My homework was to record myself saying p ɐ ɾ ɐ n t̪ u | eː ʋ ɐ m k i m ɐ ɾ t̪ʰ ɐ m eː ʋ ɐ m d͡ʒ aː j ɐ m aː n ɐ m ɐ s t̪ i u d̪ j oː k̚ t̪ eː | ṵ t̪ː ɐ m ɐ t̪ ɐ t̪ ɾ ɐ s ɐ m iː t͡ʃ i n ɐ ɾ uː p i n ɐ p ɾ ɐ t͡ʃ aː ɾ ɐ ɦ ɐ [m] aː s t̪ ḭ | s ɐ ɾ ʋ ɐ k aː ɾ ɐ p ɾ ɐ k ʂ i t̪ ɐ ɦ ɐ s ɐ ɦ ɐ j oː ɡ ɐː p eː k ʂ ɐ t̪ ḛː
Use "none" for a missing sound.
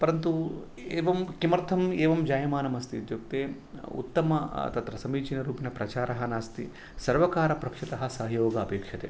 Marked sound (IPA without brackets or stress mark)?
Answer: n